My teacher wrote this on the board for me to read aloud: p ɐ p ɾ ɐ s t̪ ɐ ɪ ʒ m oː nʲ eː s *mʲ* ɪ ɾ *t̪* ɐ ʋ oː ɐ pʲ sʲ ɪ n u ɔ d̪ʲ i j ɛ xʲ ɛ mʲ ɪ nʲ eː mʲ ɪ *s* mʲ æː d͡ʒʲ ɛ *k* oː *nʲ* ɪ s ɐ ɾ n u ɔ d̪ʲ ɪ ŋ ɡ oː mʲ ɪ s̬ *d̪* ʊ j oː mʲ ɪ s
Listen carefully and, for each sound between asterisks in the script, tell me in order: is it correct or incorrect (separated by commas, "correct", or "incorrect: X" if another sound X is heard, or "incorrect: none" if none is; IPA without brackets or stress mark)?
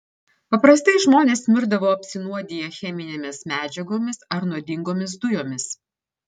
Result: correct, incorrect: d̪, correct, incorrect: ɡ, incorrect: mʲ, correct